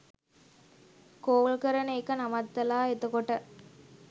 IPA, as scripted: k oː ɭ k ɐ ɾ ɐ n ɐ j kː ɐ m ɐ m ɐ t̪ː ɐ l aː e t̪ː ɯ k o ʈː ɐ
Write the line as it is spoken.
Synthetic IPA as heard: k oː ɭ k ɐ ɾ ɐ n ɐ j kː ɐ n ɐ m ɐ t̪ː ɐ l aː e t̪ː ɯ k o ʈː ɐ